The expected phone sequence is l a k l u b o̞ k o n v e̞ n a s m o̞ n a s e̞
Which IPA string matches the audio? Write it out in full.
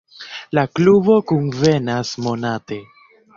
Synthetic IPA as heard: l a k l u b o̞ k u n v e̞ n a s m o̞ n a t e̞